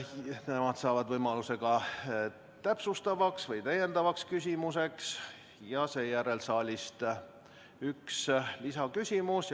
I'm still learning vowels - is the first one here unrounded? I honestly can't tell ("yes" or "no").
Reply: yes